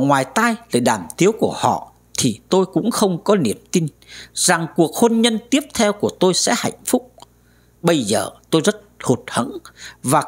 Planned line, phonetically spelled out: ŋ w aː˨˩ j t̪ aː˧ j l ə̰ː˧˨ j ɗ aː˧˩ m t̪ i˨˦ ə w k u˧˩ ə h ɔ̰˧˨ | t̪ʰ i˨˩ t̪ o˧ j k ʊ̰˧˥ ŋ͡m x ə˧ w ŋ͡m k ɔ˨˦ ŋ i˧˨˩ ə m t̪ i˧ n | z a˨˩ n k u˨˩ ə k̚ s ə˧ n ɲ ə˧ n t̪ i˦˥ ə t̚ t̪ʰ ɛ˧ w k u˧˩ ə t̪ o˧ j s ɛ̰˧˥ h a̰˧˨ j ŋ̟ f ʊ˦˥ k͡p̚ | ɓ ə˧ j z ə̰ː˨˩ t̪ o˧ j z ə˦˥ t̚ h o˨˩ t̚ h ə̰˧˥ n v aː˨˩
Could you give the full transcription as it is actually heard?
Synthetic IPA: ŋ w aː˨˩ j t̪ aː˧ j l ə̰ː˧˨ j ɗ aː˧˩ m t̪ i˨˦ ə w k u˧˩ ə h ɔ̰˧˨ | t̪ʰ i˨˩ t̪ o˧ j k ʊ̰˧˥ ŋ͡m x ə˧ w ŋ͡m k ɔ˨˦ n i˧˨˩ ə m t̪ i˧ n | z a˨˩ ŋ k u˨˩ ə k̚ h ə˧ n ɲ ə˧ n t̪ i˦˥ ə p̚ t̪ʰ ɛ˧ w k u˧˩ ə t̪ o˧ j s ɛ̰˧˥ h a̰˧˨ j ŋ̟ f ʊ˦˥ k͡p̚ | ɓ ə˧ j z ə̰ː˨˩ t̪ o˧ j z ə˦˥ t̚ h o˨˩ t̚ h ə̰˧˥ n v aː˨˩